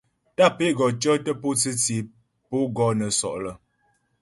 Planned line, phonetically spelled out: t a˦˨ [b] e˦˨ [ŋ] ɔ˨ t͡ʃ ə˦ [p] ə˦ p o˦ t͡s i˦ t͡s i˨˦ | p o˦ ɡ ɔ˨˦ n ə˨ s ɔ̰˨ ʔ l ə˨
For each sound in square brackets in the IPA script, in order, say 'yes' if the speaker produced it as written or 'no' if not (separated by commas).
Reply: no, no, no